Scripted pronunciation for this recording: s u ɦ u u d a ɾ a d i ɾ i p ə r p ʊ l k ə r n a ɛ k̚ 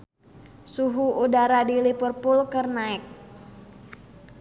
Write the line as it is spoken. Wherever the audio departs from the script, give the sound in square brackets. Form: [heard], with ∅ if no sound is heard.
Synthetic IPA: s u ɦ u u d a ɾ a d i [l] i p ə r p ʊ l k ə r n a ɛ k̚